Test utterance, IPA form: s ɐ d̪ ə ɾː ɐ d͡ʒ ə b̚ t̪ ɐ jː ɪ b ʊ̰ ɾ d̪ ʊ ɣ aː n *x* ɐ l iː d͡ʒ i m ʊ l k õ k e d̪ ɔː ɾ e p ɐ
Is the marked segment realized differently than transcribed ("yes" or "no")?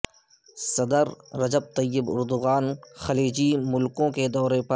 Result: no